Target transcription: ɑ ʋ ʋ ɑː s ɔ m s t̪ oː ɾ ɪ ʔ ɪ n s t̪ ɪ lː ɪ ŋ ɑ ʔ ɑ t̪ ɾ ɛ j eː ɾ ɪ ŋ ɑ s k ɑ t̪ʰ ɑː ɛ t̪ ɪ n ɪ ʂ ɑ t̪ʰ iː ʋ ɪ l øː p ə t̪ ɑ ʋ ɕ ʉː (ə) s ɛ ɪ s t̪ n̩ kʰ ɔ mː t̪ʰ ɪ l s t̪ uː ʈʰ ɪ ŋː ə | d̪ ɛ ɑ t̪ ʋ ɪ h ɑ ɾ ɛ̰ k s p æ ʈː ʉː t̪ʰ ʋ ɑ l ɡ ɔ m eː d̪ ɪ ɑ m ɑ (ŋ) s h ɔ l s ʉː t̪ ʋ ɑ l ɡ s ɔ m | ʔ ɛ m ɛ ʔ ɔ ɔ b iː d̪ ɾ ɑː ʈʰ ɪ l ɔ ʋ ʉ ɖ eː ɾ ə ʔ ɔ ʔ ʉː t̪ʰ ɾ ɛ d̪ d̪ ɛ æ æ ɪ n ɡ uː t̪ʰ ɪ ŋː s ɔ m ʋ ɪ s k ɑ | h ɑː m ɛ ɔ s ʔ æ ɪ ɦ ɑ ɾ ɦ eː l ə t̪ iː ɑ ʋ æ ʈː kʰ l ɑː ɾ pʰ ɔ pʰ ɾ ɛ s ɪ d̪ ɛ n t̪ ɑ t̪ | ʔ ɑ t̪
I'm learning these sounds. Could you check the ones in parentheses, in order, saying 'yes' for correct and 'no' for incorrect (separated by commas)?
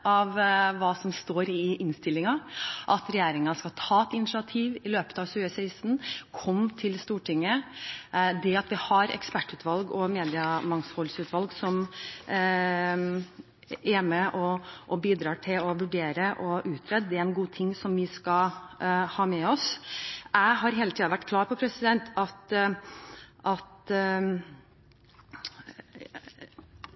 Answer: yes, yes